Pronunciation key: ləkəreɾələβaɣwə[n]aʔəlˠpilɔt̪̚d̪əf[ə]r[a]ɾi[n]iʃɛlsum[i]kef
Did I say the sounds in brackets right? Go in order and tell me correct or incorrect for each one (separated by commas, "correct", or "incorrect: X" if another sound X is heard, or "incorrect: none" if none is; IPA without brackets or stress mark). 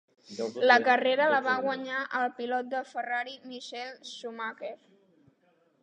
incorrect: ɲ, correct, correct, incorrect: m, incorrect: a